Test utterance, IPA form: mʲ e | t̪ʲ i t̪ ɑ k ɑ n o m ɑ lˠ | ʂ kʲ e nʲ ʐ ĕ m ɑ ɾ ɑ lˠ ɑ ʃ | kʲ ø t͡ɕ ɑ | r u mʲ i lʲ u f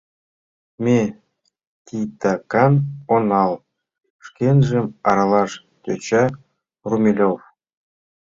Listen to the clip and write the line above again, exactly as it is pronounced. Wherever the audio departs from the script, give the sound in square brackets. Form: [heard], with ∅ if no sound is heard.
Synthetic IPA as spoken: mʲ e | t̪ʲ i t̪ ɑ k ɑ n o [n] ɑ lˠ | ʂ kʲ e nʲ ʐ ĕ m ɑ ɾ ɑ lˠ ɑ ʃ | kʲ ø t͡ɕ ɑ | r u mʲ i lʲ [o] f

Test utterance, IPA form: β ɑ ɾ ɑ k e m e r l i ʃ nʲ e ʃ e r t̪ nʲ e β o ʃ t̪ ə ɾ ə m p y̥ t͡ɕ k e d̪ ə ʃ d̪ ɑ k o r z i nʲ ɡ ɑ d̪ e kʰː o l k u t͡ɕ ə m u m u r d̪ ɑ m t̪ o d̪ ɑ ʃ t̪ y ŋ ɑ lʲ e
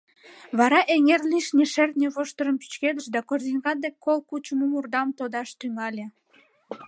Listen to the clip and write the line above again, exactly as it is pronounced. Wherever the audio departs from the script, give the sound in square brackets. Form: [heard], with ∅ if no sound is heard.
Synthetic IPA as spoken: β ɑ ɾ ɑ [ʔ] e [ŋ] e r l i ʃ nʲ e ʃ e r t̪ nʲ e β o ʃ t̪ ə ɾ ə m p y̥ t͡ɕ k e d̪ ə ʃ d̪ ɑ k o r z i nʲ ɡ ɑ d̪ e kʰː o l k u t͡ɕ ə m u m u r d̪ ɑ m t̪ o d̪ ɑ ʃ t̪ y ŋ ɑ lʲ e

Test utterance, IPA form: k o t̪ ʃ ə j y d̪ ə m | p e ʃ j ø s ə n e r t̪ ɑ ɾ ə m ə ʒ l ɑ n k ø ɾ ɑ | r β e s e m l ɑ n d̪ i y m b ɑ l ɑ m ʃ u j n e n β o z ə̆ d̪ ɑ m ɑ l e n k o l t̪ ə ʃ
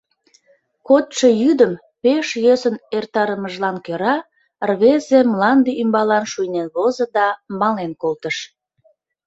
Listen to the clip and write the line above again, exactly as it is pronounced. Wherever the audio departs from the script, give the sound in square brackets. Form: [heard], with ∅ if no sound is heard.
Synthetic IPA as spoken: k o t̪ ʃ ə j y d̪ ə m | p e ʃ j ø s ə n e r t̪ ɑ ɾ ə m ə ʒ l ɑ n k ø ɾ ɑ | r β e [z] e m l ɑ n d̪ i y m b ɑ l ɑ [n] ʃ u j n e n β o z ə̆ d̪ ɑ m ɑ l e n k o l t̪ ə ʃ

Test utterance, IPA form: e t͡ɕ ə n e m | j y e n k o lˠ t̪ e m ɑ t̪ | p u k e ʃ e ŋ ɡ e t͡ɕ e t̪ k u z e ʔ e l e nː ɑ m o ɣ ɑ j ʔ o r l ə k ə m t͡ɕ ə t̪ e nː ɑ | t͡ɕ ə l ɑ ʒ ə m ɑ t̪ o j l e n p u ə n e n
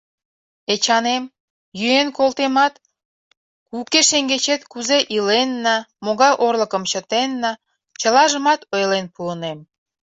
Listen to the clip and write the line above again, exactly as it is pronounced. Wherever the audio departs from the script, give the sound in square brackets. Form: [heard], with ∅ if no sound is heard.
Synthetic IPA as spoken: e t͡ɕ [ɑ] n e m | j y e n k o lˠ t̪ e m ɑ t̪ | [k] u k e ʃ e ŋ ɡ e t͡ɕ e t̪ k u z e ʔ [i] l e nː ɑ m o ɣ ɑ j ʔ o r l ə k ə m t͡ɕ ə t̪ e nː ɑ | t͡ɕ ə l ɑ ʒ ə m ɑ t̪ o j l e n p u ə n e [m]

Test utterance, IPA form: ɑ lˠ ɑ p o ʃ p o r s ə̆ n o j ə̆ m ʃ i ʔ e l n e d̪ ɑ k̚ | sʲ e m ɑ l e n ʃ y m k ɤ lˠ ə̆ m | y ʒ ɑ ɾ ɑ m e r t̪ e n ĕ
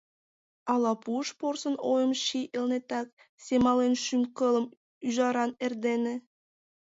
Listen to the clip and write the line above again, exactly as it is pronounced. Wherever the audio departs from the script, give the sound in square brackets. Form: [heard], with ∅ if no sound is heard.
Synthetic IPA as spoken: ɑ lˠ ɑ p [u] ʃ p o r s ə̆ n o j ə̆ m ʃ i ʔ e l n e [t̪] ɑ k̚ | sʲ e m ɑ l e n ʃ y m k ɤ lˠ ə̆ m | y ʒ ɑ ɾ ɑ [n] e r [d̪] e n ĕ

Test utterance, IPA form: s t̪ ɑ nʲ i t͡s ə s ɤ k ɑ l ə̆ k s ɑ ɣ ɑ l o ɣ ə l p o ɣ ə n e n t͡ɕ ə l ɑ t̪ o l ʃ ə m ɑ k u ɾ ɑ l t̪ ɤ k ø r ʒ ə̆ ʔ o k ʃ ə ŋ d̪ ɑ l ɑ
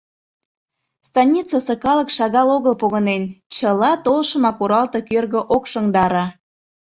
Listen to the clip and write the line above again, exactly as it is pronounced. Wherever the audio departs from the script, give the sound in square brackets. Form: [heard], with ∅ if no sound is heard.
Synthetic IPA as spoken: s t̪ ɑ nʲ i t͡s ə s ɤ k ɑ l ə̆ k [ʃ] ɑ ɣ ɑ l o ɣ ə l p o ɣ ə n e n t͡ɕ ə l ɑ t̪ o l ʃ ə m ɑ k u ɾ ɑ l t̪ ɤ k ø r [ɣ] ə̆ ʔ o k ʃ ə ŋ d̪ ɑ [ɾ] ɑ

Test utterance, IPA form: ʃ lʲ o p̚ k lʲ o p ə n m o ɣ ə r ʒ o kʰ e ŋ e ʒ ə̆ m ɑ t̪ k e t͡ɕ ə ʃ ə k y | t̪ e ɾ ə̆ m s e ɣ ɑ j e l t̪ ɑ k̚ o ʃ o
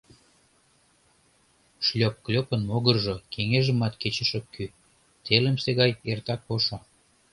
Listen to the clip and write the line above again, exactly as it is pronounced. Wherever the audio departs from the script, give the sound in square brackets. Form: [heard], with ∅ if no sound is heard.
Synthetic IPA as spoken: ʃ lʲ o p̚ k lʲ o p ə n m o ɣ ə r ʒ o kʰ e ŋ e ʒ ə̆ m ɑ t̪ k e t͡ɕ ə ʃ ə k y | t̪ e [l] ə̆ m s e ɣ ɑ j e [r] t̪ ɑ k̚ o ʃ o

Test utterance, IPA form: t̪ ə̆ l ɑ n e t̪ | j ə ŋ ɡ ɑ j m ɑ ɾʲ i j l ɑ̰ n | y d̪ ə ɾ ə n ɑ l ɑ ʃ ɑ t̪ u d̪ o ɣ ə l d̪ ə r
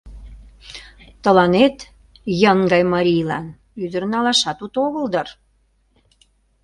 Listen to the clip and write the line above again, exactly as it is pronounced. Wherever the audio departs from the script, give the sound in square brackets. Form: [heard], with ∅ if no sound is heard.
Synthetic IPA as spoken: t̪ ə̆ l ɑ n e t̪ | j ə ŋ ɡ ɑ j m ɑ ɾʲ i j l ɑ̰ n | y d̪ ə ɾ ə n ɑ l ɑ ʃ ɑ t̪ u [t̪] o ɣ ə l d̪ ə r

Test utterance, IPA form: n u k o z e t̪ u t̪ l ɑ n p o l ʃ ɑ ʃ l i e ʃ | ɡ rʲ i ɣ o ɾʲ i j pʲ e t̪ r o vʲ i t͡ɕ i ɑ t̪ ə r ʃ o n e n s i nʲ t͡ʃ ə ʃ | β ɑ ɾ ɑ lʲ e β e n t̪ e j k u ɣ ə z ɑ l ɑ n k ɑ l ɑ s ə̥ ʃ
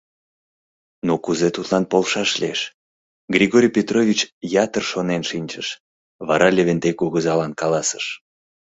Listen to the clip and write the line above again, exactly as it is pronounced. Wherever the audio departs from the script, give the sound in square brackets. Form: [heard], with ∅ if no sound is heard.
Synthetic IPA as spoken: n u k [u] z e t̪ u t̪ l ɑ n p o l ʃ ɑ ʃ l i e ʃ | ɡ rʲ i ɣ o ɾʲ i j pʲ e t̪ r o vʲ i t͡ɕ [j] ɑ t̪ ə r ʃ o n e n [ʃ] i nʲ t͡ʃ ə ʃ | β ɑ ɾ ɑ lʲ e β e n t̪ e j k u ɣ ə z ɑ l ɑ n k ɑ l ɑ s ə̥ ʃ

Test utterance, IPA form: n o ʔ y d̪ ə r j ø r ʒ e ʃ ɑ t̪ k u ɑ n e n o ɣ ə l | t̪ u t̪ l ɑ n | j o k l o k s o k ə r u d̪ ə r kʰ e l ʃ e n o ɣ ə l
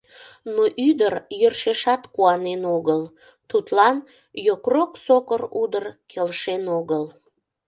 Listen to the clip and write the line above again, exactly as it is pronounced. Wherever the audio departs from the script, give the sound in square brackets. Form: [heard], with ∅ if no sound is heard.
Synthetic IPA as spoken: n o ʔ y d̪ ə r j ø r [ʃ] e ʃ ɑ t̪ k u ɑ n e n o ɣ ə l | t̪ u t̪ l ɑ n | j o k [r] o k s o k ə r u d̪ ə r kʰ e l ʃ e n o ɣ ə l

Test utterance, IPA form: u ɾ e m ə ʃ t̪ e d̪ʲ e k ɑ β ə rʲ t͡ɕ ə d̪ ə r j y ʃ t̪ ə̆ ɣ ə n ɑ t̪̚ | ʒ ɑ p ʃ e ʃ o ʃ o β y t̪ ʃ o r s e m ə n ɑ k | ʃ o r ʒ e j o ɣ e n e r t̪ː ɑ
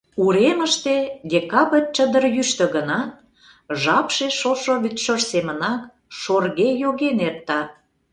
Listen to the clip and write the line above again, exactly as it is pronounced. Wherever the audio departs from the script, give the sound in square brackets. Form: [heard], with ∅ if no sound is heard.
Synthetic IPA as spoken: u ɾ e m ə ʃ t̪ e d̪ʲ e k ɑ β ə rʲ t͡ɕ ə d̪ ə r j y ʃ t̪ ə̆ ɣ ə n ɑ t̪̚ | ʒ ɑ p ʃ e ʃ o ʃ o β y t̪ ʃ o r s e m ə n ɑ k | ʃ o r [ɣ] e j o ɣ e n e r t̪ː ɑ

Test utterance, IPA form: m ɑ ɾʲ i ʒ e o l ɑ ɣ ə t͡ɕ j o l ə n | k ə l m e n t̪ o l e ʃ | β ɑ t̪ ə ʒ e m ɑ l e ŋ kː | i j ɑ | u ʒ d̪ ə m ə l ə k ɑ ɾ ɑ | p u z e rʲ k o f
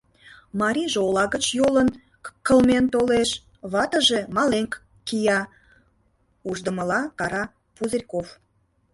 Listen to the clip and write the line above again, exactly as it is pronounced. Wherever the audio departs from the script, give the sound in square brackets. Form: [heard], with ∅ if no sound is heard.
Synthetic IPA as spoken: m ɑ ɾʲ i ʒ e o l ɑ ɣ ə t͡ɕ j o l ə n | k ə l m e n t̪ o l e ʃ | β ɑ t̪ ə ʒ e m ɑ l e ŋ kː | i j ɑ | u ʒ d̪ ə m ə l [ɑ] k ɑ ɾ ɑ | p u z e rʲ k o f

